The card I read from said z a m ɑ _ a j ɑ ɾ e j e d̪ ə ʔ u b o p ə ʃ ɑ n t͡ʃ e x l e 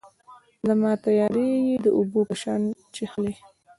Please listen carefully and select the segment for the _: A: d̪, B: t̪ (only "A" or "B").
B